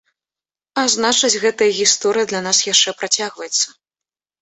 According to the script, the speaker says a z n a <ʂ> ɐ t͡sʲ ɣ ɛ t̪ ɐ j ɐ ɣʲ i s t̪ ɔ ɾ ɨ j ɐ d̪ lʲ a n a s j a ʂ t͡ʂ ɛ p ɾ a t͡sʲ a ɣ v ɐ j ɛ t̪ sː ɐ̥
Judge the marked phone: incorrect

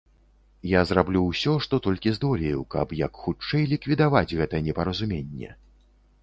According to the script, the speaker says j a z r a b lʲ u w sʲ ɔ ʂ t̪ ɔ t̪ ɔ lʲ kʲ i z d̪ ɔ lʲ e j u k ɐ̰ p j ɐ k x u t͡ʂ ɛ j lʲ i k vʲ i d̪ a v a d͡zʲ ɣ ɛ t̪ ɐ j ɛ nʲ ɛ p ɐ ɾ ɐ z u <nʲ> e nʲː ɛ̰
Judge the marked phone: incorrect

